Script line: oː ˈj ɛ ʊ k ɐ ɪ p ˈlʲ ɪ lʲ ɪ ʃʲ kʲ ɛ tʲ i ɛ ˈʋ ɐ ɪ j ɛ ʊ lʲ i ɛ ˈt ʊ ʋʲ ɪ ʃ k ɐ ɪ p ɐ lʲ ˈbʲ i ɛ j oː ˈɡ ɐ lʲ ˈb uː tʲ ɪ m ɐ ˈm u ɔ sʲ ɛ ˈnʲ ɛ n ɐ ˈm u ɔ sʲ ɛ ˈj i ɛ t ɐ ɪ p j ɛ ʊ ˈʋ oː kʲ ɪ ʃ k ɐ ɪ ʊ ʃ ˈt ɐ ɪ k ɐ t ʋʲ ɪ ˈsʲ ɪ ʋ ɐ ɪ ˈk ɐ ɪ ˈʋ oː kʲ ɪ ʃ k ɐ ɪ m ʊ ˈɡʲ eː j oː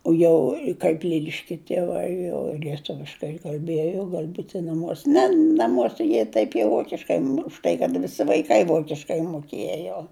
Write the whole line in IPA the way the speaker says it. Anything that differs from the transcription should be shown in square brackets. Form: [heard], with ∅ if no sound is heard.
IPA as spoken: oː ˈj ɛ ʊ k ɐ ɪ p ˈlʲ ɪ lʲ ɪ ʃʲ kʲ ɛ tʲ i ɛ ˈʋ ɐ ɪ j ɛ ʊ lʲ i ɛ ˈt ʊ ʋʲ ɪ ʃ k ɐ ɪ [k] ɐ lʲ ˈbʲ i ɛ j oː ˈɡ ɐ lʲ ˈb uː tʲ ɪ [n] ɐ ˈm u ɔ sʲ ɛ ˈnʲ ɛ n ɐ ˈm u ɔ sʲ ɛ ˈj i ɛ t ɐ ɪ p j ɛ ʊ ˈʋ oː kʲ ɪ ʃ k ɐ ɪ ʊ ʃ ˈt ɐ ɪ k ɐ t ʋʲ ɪ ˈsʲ ɪ ʋ ɐ ɪ ˈk ɐ ɪ ˈʋ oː kʲ ɪ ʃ k ɐ ɪ m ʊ [ˈkʲ] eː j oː

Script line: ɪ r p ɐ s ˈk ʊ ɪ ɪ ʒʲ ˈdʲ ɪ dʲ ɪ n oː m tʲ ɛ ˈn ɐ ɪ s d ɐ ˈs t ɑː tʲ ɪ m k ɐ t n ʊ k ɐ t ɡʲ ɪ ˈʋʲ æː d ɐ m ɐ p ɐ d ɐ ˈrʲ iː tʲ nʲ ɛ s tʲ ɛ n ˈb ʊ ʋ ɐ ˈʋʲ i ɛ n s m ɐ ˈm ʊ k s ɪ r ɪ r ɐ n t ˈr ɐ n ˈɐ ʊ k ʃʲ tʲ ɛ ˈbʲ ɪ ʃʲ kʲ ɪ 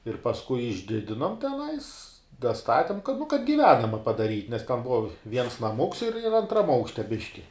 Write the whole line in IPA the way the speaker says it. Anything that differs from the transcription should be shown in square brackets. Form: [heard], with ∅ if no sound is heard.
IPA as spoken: ɪ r p ɐ s ˈk ʊ ɪ ɪ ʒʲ ˈdʲ ɪ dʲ ɪ n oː m tʲ ɛ ˈn ɐ ɪ s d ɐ ˈs t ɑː tʲ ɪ m k ɐ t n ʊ k ɐ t ɡʲ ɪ ˈʋʲ æː [n] ɐ m ɐ p ɐ d ɐ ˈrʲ iː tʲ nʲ ɛ s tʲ ɛ n ˈb ʊ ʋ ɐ ˈʋʲ i ɛ n s [n] ɐ ˈm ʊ k s ɪ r ɪ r ɐ n t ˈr ɐ [m] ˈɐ ʊ k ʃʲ tʲ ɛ ˈbʲ ɪ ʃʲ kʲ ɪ

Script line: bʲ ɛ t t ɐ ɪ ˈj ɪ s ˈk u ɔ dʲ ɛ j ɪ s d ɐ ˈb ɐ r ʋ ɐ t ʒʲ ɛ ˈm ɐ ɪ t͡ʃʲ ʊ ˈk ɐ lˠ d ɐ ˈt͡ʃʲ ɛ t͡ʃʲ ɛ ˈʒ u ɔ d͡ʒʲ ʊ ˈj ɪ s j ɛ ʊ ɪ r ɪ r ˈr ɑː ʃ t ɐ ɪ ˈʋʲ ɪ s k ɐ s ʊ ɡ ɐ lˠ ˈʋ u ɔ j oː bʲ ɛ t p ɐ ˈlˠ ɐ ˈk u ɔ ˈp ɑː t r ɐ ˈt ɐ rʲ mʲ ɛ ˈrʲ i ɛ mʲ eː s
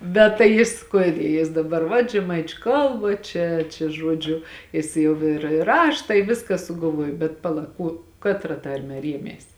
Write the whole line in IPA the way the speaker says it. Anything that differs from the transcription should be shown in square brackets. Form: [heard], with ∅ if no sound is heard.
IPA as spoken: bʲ ɛ t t ɐ ɪ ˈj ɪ s ˈk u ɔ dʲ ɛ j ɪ s d ɐ ˈb ɐ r ʋ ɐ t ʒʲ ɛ ˈm ɐ ɪ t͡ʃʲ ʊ ˈk ɐ lˠ [b] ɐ ˈt͡ʃʲ ɛ t͡ʃʲ ɛ ˈʒ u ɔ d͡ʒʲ ʊ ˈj ɪ s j ɛ ʊ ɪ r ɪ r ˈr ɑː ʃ t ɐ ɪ ˈʋʲ ɪ s k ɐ s ʊ ɡ ɐ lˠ ˈʋ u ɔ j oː bʲ ɛ t p ɐ ˈlˠ ɐ ˈk u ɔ [ˈk] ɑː t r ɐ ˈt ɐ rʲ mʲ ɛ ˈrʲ i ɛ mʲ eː s

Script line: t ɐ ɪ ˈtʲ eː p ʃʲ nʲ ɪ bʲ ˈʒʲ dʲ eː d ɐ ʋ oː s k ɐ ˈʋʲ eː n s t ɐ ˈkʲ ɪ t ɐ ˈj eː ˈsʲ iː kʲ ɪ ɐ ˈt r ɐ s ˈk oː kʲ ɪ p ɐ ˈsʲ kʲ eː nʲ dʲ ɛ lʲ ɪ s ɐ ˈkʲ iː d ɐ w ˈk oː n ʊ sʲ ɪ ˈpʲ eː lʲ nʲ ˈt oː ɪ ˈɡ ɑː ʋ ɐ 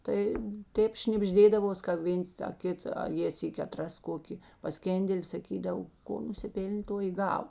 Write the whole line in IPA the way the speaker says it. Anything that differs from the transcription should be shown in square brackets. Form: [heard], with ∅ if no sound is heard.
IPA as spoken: t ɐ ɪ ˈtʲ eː p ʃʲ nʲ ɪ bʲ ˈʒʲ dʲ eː d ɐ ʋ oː s k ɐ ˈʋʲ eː n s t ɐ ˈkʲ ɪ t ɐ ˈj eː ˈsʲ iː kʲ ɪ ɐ ˈt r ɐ s ˈk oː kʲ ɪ p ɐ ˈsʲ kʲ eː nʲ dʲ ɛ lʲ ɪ s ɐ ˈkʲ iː d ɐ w ˈk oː n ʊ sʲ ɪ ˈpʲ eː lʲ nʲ ˈt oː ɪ ˈɡ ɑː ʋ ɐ

